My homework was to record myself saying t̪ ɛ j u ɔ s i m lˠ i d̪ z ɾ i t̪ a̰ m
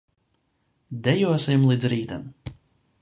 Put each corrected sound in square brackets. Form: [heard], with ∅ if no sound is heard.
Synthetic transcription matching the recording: [d̪] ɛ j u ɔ s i m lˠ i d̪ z ɾ [iː] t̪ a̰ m